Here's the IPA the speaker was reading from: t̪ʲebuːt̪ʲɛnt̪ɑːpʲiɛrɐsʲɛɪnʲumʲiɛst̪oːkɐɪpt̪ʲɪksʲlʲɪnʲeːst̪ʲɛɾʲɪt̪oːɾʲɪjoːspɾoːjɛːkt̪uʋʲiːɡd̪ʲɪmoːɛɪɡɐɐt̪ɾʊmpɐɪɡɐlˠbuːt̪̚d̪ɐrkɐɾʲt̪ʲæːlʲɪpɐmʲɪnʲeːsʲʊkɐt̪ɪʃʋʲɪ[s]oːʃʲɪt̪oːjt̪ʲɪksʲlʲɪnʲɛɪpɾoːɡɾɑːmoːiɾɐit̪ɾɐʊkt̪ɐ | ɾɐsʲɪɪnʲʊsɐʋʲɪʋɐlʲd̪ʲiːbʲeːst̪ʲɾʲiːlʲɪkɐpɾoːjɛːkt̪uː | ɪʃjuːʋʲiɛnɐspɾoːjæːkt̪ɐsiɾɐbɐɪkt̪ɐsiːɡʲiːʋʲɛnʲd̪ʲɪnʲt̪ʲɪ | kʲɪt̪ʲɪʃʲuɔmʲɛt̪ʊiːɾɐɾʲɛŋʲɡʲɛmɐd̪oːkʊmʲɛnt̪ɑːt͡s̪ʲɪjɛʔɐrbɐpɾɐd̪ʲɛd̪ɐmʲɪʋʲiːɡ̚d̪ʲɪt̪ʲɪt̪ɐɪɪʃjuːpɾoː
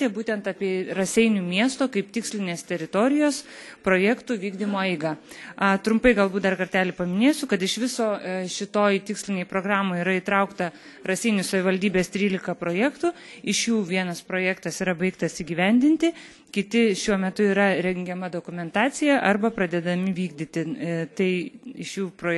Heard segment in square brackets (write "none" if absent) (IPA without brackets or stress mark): s